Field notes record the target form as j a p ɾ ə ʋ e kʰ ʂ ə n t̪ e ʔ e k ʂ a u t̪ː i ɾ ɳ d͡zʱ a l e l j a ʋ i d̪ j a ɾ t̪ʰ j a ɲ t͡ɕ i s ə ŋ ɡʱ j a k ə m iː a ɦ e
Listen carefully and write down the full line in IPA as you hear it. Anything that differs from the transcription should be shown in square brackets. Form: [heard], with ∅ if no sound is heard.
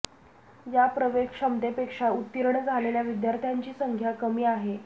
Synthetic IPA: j a p ɾ ə ʋ e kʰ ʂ ə [m] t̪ e [p] e k ʂ a u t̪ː i ɾ ɳ d͡zʱ a l e l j a ʋ i d̪ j a ɾ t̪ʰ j a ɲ t͡ɕ [iː] s ə ŋ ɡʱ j a k ə m iː a ɦ e